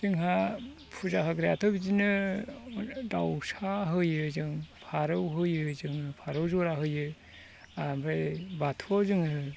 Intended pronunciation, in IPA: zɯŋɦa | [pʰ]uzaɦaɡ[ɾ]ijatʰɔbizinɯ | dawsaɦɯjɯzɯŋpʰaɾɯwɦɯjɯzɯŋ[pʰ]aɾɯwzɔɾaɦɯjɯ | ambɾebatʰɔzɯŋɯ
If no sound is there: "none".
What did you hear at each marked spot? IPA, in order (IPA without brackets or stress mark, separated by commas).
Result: pʰ, ɾ, pʰ